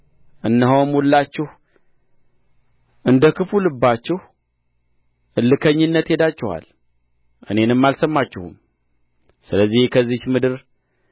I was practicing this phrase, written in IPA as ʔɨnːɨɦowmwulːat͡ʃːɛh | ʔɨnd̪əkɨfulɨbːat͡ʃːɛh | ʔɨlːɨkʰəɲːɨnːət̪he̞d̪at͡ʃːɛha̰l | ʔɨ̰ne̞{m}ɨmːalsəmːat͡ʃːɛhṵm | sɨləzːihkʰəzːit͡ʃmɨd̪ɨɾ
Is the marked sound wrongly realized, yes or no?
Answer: yes